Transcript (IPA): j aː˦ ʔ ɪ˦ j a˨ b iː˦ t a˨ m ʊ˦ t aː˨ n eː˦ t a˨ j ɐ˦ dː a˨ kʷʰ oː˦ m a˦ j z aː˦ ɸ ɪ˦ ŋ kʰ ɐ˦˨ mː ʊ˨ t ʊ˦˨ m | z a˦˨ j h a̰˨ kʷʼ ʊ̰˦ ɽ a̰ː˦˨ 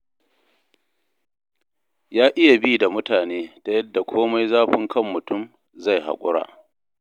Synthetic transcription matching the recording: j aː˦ ʔ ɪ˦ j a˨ b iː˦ d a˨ m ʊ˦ t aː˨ n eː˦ t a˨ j ɐ˦ dː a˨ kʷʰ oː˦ m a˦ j z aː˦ ɸ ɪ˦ ŋ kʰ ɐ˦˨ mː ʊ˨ t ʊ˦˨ m | z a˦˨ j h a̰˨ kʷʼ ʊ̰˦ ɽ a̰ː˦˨